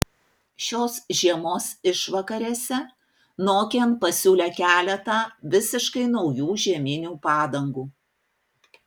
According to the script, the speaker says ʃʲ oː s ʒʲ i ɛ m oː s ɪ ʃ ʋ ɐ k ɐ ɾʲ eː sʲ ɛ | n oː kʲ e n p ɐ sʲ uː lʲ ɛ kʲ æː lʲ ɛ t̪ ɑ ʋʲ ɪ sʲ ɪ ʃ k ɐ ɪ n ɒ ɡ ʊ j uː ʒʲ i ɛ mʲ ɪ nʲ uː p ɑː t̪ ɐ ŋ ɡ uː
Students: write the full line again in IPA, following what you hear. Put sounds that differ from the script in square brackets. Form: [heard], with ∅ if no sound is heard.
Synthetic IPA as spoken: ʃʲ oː s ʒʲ i ɛ m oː s ɪ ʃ ʋ ɐ k ɐ ɾʲ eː sʲ ɛ | n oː kʲ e n p ɐ sʲ uː lʲ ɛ kʲ æː lʲ ɛ t̪ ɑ ʋʲ ɪ sʲ ɪ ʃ k ɐ ɪ n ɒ [∅] ʊ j uː ʒʲ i ɛ mʲ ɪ nʲ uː p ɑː [d̪] ɐ ŋ ɡ uː